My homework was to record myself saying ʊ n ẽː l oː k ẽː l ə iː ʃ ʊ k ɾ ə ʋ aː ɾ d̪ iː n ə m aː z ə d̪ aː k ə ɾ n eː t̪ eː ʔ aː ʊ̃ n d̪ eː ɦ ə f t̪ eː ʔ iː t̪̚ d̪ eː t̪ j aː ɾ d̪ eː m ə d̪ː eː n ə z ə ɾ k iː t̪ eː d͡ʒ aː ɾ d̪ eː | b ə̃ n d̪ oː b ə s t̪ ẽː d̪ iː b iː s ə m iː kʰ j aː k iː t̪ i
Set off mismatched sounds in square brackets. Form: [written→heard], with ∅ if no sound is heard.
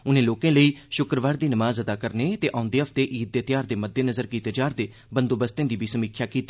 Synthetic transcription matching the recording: ʊ n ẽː l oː k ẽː l ə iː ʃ ʊ k ɾ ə ʋ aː ɾ d̪ iː n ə m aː z ə d̪ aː k ə ɾ n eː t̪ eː ʔ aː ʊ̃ n d̪ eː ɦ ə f t̪ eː ʔ iː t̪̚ d̪ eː t̪ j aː ɾ d̪ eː m ə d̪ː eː n ə z ə ɾ k iː t̪ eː d͡ʒ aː ɾ d̪ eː | b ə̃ n d̪ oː b ə s t̪ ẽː d̪ iː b iː s ə m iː kʰ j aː k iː t̪ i